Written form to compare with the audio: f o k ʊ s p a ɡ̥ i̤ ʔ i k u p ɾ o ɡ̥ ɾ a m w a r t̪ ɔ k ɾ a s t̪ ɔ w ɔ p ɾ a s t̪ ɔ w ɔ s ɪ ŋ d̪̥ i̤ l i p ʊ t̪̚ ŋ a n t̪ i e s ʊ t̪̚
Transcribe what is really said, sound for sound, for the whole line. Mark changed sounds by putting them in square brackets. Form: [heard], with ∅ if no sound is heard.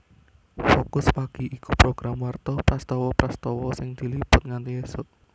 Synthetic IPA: f o k ʊ s p a ɡ̥ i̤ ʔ i k u p ɾ o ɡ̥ ɾ a m w a r t̪ ɔ [p] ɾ a s t̪ ɔ w ɔ p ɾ a s t̪ ɔ w ɔ s ɪ ŋ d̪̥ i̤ l i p ʊ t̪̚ ŋ a n t̪ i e s ʊ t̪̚